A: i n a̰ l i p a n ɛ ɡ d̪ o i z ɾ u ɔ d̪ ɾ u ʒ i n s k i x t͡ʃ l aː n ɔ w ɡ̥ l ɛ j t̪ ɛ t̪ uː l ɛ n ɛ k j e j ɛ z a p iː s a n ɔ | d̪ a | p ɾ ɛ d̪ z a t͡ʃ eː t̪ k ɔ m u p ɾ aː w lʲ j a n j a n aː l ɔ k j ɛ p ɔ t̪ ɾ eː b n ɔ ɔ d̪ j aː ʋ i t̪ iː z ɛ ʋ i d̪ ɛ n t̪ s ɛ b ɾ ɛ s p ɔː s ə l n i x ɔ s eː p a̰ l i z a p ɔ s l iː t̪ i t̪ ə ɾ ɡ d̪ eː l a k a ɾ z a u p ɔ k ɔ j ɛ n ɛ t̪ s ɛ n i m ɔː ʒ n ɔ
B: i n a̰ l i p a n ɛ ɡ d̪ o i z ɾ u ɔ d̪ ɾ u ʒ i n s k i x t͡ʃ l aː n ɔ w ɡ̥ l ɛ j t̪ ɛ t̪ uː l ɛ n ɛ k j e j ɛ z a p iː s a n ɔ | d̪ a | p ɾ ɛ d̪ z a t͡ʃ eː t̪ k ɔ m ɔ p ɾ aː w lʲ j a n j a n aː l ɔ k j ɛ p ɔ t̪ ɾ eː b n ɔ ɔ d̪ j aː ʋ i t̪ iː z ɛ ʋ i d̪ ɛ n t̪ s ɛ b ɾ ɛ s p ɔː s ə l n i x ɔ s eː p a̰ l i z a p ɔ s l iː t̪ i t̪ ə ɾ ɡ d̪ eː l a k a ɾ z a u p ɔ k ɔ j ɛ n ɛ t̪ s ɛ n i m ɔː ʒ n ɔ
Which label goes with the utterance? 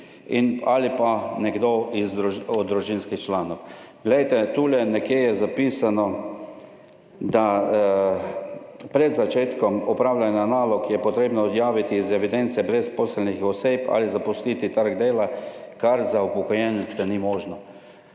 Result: B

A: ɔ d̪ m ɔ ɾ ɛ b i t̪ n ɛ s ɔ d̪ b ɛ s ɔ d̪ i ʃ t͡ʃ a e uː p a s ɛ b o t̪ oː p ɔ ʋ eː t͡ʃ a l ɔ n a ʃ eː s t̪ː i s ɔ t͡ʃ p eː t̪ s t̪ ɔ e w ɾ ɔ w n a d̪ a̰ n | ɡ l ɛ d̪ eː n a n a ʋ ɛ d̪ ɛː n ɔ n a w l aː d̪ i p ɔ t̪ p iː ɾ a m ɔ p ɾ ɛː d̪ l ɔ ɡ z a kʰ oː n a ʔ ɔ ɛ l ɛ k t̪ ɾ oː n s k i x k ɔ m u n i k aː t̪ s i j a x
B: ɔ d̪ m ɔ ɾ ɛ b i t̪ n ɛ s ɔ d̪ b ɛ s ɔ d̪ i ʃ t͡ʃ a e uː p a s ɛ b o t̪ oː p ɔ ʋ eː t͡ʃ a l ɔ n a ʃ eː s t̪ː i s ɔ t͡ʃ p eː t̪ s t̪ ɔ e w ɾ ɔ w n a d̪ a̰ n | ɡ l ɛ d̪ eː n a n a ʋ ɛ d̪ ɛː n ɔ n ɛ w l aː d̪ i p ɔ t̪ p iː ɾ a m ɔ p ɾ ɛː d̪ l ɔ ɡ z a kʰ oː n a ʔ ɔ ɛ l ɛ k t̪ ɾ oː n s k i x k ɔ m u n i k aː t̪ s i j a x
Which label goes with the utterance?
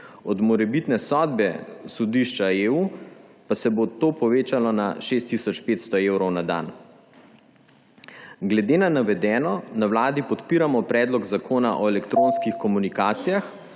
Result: A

